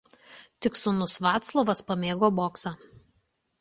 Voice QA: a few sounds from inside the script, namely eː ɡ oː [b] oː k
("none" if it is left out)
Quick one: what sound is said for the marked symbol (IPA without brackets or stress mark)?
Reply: b